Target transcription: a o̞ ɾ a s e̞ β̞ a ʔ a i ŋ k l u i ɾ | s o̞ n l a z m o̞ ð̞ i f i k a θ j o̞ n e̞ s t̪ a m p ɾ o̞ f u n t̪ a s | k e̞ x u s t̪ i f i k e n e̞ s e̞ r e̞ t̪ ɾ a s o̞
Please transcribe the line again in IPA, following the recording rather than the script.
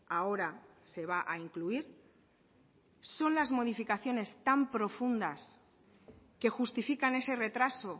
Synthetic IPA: a o̞ ɾ a s e̞ β̞ a ʔ a i ŋ k l u i ɾ | s o̞ n l a z m o̞ ð̞ i f i k a θ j o̞ n e̞ s t̪ a m p ɾ o̞ f u n d̪ a s | k e̞ x u s t̪ i f i k a n e̞ s e̞ r e̞ t̪ ɾ a s o̞